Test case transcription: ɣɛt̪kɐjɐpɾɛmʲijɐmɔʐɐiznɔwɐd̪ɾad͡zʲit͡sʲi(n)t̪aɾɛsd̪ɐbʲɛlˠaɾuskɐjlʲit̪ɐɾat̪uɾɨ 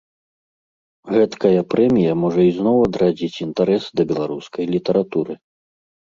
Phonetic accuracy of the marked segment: correct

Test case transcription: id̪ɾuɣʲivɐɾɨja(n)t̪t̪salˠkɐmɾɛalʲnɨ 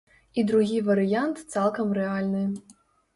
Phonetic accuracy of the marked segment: correct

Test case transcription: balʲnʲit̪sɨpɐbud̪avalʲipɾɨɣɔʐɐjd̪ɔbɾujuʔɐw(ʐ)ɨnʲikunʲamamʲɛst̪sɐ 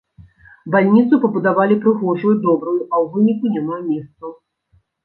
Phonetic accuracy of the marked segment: incorrect: v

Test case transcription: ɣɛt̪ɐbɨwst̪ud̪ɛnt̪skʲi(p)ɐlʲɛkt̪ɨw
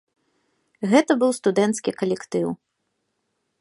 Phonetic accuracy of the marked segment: incorrect: k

